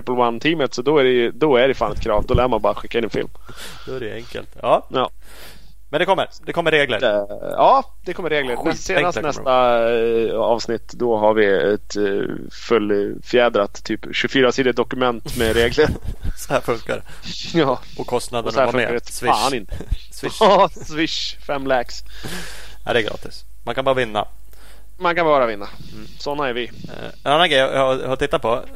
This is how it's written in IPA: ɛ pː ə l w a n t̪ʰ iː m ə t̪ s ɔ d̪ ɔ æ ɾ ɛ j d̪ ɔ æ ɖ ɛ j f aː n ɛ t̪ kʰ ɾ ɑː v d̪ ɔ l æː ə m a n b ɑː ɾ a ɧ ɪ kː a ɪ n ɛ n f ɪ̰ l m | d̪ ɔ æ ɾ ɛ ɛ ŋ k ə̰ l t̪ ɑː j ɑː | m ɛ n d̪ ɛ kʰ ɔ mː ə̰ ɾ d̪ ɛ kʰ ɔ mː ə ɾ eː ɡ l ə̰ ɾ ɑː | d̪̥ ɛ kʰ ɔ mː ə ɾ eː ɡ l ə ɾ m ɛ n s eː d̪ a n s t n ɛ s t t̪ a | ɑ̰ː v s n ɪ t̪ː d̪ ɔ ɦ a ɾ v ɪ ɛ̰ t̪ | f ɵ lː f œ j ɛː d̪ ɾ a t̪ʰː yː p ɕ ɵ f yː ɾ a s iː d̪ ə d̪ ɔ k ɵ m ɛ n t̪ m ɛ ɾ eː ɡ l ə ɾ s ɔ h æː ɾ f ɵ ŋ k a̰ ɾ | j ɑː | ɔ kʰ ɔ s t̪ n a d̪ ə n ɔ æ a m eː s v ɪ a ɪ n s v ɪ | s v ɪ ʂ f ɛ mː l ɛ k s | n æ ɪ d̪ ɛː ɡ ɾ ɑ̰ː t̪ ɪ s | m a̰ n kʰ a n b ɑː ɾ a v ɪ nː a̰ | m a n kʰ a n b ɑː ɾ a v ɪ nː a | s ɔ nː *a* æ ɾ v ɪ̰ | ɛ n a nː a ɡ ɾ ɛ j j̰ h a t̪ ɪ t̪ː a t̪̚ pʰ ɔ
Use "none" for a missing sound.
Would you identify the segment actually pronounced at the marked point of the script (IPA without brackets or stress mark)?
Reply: a